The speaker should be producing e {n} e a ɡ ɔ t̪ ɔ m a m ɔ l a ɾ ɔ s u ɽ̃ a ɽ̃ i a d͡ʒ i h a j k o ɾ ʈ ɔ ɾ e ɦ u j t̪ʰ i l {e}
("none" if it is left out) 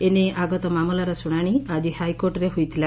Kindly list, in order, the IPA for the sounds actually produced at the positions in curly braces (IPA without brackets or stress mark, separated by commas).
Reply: n, a